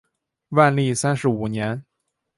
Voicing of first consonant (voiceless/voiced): voiced